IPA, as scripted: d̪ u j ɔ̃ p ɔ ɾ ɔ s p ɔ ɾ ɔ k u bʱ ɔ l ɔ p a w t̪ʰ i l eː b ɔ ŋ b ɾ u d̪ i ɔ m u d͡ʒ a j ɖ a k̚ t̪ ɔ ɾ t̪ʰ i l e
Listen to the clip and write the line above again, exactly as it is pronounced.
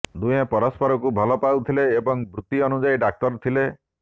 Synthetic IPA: d̪ u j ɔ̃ p ɔ ɾ ɔ s p ɔ ɾ ɔ k u bʱ ɔ l ɔ p a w t̪ʰ i l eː b ɔ ŋ b ɾ u t̪ i ɔ n u d͡ʒ a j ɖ a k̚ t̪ ɔ ɾ t̪ʰ i l e